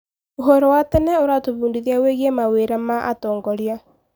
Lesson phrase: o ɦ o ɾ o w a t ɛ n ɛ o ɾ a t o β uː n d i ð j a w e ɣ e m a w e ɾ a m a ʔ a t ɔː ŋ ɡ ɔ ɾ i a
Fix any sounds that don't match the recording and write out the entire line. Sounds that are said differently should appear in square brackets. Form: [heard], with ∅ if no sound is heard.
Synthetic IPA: o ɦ o ɾ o w a t ɛ n ɛ o ɾ a t o β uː n d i ð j a w e ɣ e m a w e ɾ a m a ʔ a t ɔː ŋ ɡ ɔ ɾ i a